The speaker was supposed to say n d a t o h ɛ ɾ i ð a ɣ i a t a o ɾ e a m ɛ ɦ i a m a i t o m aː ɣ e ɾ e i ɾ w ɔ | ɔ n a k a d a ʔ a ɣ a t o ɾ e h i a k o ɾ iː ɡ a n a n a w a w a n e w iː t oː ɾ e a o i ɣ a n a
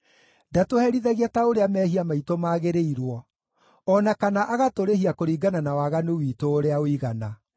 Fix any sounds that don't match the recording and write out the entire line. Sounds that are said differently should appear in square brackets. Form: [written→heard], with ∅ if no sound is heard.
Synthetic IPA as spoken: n d a t o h ɛ ɾ i ð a ɣ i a t a o ɾ e a m ɛ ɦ i a m a i t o m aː ɣ e ɾ e i ɾ w ɔ | ɔ n a k a [d→n] a ʔ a ɣ a t o ɾ e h i a k o ɾ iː ɡ a n a n a w a [w→ɣ] a n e w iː t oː ɾ e a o i ɣ a n a